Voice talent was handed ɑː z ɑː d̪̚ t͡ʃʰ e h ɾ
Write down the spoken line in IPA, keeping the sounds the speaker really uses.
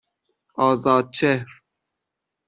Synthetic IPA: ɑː z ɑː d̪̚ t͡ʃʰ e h ɾ